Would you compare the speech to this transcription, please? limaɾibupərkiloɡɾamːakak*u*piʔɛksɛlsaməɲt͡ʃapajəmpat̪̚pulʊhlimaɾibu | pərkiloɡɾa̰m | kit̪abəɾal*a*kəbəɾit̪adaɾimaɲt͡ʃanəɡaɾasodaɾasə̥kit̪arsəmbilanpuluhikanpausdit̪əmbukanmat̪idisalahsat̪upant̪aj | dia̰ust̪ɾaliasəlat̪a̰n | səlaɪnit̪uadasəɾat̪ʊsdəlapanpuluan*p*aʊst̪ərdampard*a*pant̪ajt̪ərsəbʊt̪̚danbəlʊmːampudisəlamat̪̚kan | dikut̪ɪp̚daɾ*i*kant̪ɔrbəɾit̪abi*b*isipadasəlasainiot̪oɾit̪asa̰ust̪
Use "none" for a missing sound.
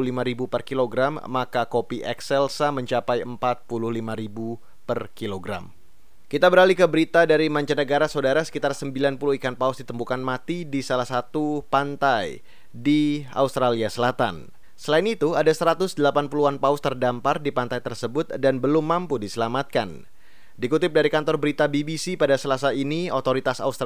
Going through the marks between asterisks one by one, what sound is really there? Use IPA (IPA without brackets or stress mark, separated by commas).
o, i, p, i, i, b